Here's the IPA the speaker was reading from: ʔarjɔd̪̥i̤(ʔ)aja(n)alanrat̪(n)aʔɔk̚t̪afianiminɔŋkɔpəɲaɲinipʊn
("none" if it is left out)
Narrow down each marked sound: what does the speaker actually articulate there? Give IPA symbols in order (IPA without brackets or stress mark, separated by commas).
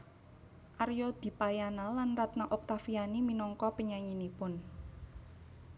p, n, n